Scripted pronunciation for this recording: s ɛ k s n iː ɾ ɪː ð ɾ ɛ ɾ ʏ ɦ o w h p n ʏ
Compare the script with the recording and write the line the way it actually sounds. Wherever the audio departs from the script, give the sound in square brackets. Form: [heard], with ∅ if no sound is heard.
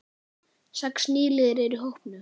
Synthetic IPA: s ɛ k s n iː [l] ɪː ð ɾ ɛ ɾ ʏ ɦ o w h p n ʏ

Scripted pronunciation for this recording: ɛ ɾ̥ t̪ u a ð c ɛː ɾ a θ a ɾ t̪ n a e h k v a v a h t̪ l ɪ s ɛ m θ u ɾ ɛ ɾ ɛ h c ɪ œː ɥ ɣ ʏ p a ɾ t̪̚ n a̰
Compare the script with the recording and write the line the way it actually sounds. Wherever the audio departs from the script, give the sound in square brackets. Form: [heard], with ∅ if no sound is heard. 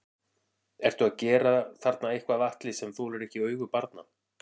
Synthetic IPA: ɛ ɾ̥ t̪ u a ð c ɛː ɾ a θ a ɾ t̪ n a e h k v a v a h t̪ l ɪ s ɛ m θ u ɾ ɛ ɾ ɛ h c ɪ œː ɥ ɣ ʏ p a ɾ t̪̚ n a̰

